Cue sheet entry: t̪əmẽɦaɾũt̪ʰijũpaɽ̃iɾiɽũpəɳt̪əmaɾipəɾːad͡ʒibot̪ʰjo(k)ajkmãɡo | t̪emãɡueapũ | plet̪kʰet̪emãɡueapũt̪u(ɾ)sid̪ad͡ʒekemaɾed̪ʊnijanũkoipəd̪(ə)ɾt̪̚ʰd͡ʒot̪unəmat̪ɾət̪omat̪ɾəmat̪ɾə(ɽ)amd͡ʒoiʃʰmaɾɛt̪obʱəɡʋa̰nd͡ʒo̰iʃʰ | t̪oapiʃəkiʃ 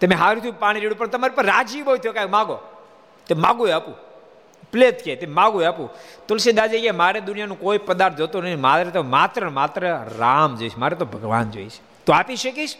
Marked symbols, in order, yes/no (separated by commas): yes, no, no, no